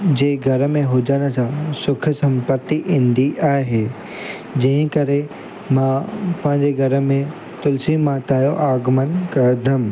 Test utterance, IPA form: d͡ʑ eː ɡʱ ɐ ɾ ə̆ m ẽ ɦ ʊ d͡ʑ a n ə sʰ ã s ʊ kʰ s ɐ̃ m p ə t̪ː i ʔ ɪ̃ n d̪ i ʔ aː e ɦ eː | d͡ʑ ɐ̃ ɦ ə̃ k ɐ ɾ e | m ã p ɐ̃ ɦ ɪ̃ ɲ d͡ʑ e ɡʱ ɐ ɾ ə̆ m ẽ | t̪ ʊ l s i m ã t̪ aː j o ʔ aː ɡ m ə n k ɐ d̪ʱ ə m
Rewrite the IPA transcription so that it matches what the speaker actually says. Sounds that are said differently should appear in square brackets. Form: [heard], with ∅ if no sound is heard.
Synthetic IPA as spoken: d͡ʑ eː ɡʱ ɐ ɾ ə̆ m ẽ ɦ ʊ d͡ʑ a n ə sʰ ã s ʊ kʰ s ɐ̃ m p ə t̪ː i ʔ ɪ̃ n d̪ i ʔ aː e ɦ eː | d͡ʑ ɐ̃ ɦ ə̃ k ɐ ɾ e | m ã p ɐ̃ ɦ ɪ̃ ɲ d͡ʑ e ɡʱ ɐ ɾ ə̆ m ẽ | t̪ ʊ l s i m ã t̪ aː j o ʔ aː ɡ m ə n k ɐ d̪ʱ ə m